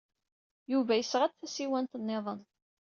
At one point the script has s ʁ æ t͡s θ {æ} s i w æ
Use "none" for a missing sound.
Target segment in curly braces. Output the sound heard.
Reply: æ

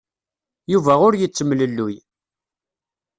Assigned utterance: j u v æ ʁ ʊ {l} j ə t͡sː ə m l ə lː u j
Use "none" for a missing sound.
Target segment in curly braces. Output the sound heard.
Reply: ɾ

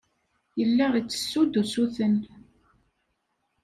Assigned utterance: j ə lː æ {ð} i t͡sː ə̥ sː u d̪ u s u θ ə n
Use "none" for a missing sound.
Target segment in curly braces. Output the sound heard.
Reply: ʁ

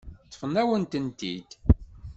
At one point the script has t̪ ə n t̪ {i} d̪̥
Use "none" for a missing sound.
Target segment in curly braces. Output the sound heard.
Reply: i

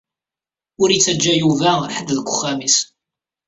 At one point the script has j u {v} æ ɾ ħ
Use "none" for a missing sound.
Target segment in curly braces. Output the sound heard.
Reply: v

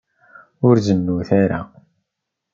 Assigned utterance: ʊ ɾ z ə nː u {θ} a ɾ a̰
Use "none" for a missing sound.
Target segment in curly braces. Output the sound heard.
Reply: θ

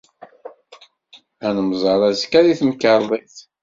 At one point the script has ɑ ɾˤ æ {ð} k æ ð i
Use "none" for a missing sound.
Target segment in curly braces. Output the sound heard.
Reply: z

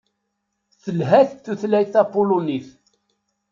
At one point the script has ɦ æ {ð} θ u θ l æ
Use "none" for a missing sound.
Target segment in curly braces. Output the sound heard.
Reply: θ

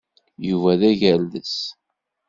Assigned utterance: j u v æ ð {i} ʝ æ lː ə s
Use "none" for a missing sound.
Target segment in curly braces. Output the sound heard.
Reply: æ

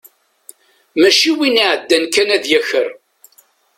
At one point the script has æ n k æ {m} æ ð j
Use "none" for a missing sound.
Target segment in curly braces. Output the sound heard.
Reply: n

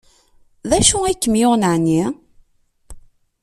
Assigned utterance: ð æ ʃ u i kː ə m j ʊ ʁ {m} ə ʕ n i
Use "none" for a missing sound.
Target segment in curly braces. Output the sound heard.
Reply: n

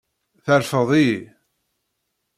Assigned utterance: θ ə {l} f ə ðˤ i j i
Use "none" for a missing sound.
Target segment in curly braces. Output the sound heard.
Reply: ɾ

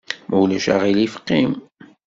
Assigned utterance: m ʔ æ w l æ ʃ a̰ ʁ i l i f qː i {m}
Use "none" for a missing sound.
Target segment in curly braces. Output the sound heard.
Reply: m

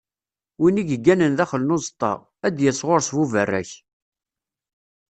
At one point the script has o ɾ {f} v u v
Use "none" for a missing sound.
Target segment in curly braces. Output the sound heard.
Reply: s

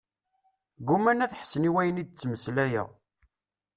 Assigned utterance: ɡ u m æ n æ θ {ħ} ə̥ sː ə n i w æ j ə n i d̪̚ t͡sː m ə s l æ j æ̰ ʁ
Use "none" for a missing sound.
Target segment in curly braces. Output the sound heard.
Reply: ħ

